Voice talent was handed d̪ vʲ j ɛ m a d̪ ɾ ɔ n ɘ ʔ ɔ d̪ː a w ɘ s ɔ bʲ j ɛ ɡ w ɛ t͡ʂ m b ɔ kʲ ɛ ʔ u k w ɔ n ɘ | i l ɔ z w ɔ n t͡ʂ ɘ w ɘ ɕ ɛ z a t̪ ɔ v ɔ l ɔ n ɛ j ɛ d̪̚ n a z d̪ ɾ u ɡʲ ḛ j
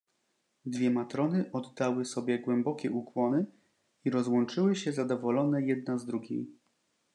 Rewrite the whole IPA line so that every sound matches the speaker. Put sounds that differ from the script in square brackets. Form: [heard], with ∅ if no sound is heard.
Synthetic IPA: d̪ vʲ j ɛ m a [t̪] ɾ ɔ n ɘ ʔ ɔ d̪ː a w ɘ s ɔ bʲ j ɛ ɡ w ɛ [∅] m b ɔ kʲ ɛ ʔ u k w ɔ n ɘ | i [ɾ] ɔ z w ɔ n t͡ʂ ɘ w ɘ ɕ ɛ z a [d̪] ɔ v ɔ l ɔ n ɛ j ɛ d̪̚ n a z d̪ ɾ u ɡʲ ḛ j